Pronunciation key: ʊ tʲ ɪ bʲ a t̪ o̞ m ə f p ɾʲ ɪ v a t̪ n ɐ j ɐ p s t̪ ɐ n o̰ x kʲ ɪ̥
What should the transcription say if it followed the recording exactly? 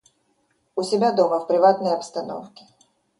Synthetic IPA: ʊ sʲ ɪ bʲ a d̪ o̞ m ə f p ɾʲ ɪ v a t̪ n ə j ɐ p s t̪ ɐ n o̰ f kʲ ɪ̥

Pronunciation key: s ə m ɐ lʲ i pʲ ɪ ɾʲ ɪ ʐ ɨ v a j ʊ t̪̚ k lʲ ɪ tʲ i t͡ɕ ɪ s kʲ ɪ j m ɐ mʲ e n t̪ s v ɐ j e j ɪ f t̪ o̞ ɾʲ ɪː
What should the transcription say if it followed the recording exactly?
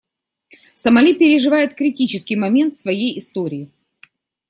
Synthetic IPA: s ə m ɐ lʲ i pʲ ɪ ɾʲ ɪ ʐ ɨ v a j ʊ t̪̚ k ɾʲ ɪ tʲ i t͡ɕ ɪ s kʲ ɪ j m ɐ mʲ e n t̪ s v ɐ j e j ɪ s t̪ o̞ ɾʲ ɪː

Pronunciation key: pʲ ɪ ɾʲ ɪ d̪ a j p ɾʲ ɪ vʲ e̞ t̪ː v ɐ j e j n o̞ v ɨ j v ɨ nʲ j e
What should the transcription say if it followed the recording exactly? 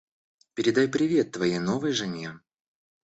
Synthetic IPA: pʲ ɪ ɾʲ ɪ d̪ a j p ɾʲ ɪ vʲ e̞ t̪ː v ɐ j e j n o̞ v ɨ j ʐ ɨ nʲ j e

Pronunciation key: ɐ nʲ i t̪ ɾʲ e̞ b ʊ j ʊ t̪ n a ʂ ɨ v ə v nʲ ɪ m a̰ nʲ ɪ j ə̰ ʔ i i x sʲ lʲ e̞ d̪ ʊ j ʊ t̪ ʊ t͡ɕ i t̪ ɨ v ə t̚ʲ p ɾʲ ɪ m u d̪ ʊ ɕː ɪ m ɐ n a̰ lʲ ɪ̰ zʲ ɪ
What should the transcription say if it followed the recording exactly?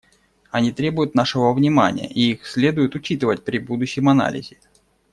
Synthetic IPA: ɐ nʲ i t̪ ɾʲ e̞ b ʊ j ʊ t̪ n a ʂ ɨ v ə v nʲ ɪ m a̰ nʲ ɪ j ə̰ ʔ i i x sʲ lʲ e̞ d̪ ʊ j ʊ t̪ ʊ t͡ɕ i t̪ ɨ v ə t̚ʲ p ɾʲ ɪ b u d̪ ʊ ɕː ɪ m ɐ n a̰ lʲ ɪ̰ zʲ ɪ

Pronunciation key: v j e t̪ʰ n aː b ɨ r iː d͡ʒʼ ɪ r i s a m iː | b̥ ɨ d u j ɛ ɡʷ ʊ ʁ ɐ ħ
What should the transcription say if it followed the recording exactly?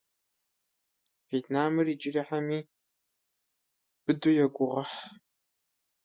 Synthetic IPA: v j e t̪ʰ n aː m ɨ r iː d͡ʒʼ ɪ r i ħ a m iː | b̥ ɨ d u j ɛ ɡʷ ʊ ʁ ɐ ħ

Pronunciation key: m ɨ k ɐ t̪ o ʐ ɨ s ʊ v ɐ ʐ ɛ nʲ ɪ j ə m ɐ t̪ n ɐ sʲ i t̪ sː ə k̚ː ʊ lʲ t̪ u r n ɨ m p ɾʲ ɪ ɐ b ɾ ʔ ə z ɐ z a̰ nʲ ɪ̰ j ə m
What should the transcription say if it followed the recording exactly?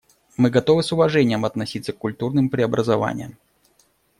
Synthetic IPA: m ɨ ɡ ɐ t̪ o v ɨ s ʊ v ɐ ʐ ɛ nʲ ɪ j ə m ɐ t̪ n ɐ sʲ i t̪ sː ə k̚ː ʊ lʲ t̪ u r n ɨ m p ɾʲ ɪ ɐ b ɾ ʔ ə z ɐ v a̰ nʲ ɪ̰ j ə m

